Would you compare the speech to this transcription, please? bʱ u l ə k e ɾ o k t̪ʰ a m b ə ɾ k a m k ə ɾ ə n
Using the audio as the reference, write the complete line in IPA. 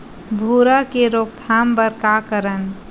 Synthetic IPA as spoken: bʱ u ɾ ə k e ɾ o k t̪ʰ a m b ə ɾ k a k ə ɾ ə n